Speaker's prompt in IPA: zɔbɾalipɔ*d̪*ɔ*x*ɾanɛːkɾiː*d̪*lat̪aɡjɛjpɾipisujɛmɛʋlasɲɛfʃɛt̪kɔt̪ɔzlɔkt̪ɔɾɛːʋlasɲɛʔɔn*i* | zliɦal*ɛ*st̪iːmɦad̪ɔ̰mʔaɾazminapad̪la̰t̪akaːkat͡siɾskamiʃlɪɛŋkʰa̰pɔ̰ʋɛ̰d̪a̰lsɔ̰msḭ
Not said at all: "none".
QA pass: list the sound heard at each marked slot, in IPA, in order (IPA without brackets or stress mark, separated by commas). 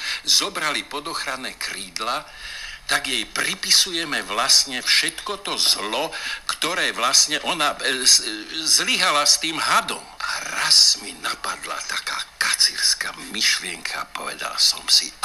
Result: d̪, x, d̪, a, a